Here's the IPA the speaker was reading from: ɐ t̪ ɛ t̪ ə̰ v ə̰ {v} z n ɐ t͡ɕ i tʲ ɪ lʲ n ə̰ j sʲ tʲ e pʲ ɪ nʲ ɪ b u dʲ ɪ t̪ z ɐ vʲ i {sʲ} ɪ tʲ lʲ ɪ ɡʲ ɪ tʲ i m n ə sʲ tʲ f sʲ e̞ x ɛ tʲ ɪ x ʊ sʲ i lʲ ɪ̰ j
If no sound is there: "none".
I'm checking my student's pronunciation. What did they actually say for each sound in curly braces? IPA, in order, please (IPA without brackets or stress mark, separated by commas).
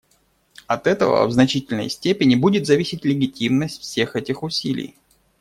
v, sʲ